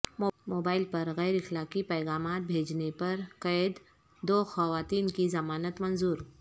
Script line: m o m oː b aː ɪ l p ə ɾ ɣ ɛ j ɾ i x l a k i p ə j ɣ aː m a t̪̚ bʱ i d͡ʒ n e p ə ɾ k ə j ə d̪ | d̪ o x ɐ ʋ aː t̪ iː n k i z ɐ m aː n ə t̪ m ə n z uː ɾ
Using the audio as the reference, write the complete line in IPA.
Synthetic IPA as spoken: m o m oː b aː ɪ l p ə ɾ ɣ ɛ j ɾ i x l a k i p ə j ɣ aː m a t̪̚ bʱ e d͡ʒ n e p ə ɾ k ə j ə d̪ | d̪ o x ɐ ʋ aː t̪ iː n k i z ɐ m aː n ə t̪ m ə n z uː ɾ